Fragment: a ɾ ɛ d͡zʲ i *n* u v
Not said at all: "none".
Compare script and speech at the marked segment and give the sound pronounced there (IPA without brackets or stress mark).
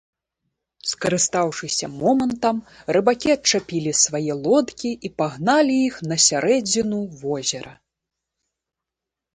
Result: n